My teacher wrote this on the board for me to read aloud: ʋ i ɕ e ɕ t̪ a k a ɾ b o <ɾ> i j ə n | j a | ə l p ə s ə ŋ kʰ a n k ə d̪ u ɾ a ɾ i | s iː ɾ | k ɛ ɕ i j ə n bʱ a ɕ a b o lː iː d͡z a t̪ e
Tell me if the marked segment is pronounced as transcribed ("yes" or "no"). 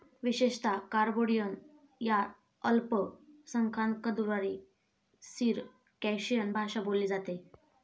no